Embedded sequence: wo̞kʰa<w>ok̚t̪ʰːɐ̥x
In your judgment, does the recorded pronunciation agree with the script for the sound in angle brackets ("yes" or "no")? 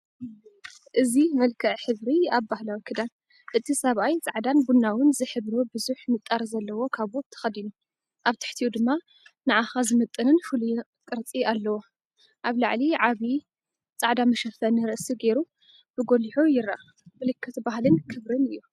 no